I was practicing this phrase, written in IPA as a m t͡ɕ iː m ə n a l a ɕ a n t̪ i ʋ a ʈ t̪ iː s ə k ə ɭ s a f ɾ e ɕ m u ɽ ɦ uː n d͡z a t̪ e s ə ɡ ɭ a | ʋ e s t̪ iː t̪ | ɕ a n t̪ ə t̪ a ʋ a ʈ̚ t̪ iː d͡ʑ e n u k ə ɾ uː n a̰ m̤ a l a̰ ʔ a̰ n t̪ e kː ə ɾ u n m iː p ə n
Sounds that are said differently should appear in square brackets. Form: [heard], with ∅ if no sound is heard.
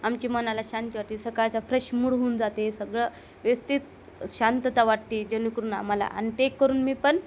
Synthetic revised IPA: a m t͡ɕ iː m ə n a l a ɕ a n t̪ i ʋ a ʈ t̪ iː s ə k [a] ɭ [t͡s] a f ɾ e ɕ m u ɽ ɦ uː n d͡z a t̪ e s ə ɡ ɭ [ə] | ʋ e s t̪ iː t̪ | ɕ a n t̪ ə t̪ a ʋ a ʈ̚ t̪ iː d͡ʑ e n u k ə ɾ uː n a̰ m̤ a l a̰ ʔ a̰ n t̪ e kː ə ɾ [uː] n m iː p ə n

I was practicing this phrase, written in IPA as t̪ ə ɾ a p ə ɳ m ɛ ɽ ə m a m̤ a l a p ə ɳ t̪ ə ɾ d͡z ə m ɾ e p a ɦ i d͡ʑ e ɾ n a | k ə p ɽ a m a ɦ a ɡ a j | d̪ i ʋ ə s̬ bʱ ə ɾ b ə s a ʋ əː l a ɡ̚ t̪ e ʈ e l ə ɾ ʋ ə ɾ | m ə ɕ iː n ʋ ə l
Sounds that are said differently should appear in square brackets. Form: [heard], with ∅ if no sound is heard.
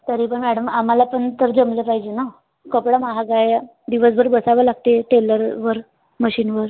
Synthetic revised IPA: t̪ ə ɾ [i] p ə ɳ m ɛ ɽ ə m a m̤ a l a p ə ɳ t̪ ə ɾ d͡z ə m [l] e p a ɦ i d͡ʑ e [∅] n a | k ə p ɽ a m a ɦ a ɡ a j | d̪ i ʋ ə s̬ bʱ ə ɾ b ə s a ʋ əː l a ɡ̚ t̪ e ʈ e l ə ɾ ʋ ə ɾ | m ə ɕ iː n ʋ ə [ɾ]

